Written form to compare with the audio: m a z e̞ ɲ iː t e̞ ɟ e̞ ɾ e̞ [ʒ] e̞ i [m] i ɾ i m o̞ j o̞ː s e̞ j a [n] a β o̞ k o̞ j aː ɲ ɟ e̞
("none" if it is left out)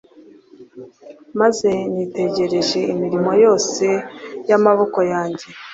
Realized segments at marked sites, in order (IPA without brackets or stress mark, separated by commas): ʒ, m, m